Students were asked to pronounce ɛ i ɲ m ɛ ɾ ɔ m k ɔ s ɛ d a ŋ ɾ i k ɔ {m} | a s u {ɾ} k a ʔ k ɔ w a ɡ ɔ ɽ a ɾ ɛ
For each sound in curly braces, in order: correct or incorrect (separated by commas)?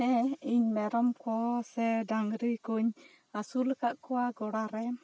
incorrect, incorrect